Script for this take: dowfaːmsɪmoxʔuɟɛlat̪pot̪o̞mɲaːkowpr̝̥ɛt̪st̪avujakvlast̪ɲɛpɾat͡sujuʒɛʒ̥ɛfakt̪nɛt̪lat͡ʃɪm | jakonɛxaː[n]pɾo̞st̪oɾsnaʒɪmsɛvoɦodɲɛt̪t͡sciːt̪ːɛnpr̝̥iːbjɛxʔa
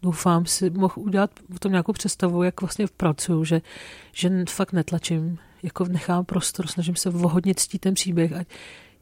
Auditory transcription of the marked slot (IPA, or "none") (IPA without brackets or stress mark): m